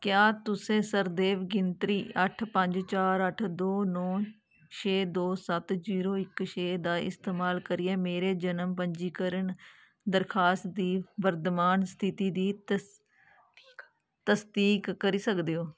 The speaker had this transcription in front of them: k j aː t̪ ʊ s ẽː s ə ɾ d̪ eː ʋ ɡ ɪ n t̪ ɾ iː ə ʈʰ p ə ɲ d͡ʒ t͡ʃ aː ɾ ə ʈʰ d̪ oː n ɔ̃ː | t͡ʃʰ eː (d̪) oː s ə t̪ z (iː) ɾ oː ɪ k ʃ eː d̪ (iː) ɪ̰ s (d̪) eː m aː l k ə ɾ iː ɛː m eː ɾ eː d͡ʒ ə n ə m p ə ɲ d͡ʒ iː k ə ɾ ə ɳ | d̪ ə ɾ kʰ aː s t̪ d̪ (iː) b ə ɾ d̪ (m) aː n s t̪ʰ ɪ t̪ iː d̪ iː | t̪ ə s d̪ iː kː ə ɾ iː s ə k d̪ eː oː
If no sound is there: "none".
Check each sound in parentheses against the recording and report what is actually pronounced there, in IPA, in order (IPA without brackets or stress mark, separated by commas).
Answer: d̪, iː, aː, t̪, iː, m